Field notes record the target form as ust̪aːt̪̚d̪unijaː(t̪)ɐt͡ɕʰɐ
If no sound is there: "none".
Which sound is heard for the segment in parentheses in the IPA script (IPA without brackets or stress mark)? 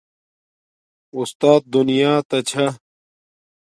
t̪